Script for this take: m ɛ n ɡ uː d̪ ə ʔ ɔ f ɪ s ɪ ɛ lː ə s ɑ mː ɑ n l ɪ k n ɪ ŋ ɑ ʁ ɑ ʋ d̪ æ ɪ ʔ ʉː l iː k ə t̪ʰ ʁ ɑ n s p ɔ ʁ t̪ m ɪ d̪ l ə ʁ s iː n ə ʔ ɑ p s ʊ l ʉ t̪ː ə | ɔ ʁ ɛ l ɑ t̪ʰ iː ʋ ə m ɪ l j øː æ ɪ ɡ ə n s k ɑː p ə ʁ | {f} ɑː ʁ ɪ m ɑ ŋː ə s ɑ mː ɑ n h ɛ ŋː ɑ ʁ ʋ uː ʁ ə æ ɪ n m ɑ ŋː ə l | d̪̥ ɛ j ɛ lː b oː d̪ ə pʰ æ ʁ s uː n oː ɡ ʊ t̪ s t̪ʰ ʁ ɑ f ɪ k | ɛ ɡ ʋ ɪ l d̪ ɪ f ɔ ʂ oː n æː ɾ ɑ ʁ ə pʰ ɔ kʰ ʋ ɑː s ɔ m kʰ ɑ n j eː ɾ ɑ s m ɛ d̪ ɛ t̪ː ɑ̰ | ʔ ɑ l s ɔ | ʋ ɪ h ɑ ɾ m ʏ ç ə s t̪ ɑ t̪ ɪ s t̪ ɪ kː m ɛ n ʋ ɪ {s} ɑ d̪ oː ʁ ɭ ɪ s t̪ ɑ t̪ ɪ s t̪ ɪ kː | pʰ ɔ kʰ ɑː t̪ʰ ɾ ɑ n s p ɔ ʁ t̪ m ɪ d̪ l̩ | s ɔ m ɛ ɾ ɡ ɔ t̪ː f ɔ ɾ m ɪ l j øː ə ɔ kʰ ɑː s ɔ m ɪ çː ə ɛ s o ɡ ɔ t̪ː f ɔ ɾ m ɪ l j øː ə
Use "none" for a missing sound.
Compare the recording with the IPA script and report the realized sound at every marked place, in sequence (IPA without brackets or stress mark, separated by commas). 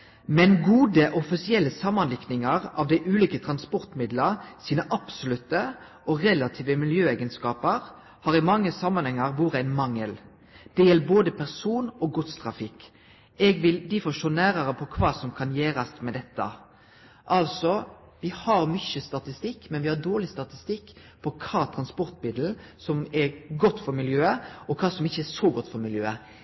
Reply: h, h